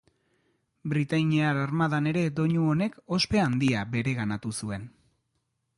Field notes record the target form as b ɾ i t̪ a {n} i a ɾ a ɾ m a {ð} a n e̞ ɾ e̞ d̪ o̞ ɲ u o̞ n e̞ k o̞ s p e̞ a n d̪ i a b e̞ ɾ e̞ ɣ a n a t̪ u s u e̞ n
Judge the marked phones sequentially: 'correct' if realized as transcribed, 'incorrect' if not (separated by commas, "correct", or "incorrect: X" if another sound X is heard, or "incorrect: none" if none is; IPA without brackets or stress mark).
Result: incorrect: ɲ, correct